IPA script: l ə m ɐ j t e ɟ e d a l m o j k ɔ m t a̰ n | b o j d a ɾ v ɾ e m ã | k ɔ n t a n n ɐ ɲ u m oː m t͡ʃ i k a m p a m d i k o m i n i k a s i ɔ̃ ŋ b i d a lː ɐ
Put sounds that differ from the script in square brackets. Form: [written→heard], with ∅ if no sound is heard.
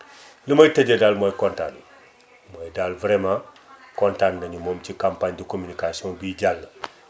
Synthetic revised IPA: l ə m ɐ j t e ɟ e d a l m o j k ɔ [m→n] t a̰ n | [b→m] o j d a [ɾ→l] v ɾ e m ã | k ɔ n t a n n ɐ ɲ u m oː m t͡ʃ i k a m p a [m→ɲ] d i k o m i n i k a s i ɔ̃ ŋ b i [d→ɟ] a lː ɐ